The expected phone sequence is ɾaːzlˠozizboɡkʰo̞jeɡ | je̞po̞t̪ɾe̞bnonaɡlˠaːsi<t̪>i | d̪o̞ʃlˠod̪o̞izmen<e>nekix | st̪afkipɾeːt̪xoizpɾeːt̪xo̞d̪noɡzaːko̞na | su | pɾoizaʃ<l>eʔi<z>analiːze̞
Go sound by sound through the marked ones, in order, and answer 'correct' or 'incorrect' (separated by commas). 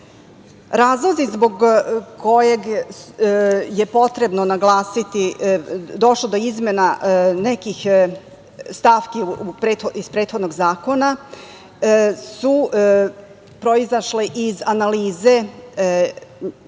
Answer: correct, incorrect, correct, correct